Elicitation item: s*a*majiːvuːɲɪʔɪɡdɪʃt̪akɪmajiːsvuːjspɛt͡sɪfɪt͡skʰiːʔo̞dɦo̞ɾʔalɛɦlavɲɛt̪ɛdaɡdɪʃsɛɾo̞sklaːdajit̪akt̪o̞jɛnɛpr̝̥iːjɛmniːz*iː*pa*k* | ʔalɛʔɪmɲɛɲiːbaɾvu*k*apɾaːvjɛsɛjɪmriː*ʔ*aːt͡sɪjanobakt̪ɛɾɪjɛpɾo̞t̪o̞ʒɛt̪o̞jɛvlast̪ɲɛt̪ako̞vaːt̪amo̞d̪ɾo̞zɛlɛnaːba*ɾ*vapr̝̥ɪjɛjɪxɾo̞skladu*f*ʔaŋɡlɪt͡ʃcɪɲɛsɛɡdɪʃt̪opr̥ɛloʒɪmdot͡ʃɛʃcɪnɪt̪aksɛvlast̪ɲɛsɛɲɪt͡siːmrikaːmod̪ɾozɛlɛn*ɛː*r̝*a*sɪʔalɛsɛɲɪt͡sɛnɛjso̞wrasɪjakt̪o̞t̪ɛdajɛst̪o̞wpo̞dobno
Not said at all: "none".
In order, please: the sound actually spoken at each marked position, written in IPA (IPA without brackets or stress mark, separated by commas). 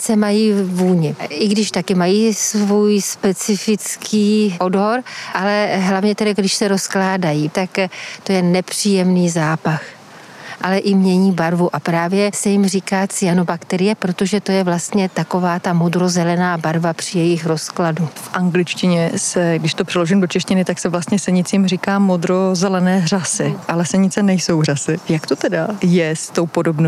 ɛ, aː, x, ʔ, k, ɾ, f, ɛː, a